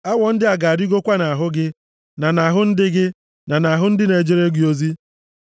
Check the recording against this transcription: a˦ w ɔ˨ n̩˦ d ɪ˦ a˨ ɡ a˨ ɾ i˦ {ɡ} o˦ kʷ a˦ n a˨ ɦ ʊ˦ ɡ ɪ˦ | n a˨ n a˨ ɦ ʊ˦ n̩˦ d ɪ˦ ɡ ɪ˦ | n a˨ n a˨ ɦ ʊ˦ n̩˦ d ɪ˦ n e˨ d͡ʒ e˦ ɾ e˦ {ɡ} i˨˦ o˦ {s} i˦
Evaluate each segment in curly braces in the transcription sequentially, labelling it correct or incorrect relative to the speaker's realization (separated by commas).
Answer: correct, correct, incorrect